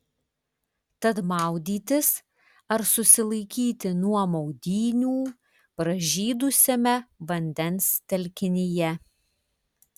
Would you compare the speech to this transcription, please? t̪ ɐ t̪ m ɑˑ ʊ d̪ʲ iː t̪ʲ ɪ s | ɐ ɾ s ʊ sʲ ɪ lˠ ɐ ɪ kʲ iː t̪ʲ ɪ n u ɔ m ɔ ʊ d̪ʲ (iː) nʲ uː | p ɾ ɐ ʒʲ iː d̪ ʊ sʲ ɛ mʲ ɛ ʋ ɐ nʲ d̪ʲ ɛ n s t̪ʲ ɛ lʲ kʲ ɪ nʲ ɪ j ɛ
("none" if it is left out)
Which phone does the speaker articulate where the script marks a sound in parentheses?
iː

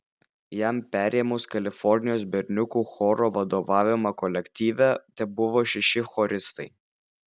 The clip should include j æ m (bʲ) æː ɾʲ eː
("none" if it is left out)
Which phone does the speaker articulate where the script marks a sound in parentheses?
pʲ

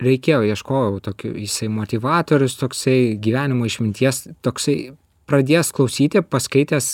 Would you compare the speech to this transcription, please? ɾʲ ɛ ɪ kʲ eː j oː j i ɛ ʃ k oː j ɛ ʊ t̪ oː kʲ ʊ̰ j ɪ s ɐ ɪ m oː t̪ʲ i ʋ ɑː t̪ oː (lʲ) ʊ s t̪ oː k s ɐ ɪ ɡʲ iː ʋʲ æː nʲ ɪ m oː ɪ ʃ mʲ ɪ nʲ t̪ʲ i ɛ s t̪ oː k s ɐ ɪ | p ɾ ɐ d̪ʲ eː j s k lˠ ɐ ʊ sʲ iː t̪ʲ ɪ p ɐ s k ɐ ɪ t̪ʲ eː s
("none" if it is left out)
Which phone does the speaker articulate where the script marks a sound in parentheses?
ɾʲ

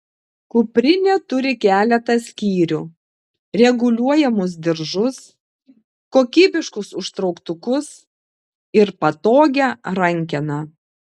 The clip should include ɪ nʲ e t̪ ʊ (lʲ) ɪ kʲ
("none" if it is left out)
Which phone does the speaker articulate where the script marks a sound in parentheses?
ɾʲ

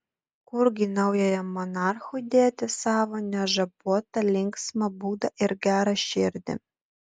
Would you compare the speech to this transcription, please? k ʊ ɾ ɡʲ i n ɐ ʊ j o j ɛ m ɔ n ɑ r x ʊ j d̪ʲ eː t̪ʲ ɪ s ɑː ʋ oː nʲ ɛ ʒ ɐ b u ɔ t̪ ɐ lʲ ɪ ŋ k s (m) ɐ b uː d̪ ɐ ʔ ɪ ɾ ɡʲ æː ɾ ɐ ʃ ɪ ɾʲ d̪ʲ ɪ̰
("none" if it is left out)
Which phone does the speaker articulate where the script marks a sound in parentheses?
m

